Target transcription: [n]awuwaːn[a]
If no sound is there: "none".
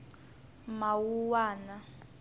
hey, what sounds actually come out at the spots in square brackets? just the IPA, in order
m, a

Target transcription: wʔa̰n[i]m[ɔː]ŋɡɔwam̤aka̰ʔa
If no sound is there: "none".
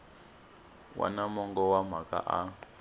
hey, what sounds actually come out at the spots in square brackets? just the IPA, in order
a, ɔ

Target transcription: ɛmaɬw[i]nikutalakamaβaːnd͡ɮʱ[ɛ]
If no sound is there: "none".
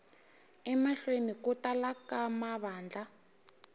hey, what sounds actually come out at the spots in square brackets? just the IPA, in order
e, a

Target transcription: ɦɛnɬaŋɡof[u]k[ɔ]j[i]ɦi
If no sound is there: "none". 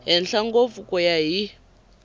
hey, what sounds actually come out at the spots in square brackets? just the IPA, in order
u, ɔ, a

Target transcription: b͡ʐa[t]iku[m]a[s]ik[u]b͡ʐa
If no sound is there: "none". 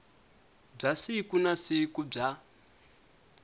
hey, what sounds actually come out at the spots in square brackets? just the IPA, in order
s, n, s, u

